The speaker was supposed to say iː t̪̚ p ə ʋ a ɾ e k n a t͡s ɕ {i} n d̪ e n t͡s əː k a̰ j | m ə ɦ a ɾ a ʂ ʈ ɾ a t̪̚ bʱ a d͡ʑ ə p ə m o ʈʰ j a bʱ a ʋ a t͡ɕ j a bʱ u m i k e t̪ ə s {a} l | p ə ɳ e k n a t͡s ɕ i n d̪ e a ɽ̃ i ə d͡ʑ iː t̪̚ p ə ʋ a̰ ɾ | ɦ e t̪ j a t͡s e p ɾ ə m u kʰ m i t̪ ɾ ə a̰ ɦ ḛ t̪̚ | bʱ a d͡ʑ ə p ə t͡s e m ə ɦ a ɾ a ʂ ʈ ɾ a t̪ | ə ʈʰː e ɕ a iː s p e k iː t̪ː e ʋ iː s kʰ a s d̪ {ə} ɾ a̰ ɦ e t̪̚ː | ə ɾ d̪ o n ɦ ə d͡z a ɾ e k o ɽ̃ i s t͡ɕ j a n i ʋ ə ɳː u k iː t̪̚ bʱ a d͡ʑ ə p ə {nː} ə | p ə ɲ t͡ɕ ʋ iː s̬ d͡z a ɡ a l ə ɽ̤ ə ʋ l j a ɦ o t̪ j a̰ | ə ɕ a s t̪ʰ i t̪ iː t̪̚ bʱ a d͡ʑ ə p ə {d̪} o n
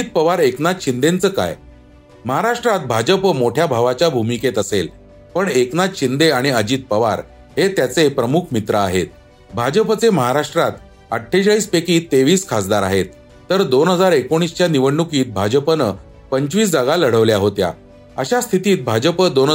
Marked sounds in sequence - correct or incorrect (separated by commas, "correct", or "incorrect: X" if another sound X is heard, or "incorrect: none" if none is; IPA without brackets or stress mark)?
correct, incorrect: e, incorrect: a, incorrect: n, correct